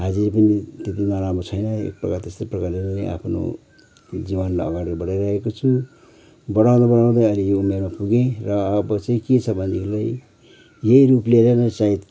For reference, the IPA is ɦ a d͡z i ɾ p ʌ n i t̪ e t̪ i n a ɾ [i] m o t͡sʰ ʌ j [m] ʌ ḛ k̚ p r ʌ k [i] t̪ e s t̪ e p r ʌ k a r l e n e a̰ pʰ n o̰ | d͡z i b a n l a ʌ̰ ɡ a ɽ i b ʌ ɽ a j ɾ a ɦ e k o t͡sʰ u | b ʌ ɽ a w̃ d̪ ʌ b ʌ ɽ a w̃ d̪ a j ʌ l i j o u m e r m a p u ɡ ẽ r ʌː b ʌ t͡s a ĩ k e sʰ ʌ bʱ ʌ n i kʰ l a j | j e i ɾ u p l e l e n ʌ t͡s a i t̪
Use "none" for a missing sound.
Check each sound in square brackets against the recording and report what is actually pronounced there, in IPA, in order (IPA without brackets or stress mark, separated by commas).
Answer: a, n, a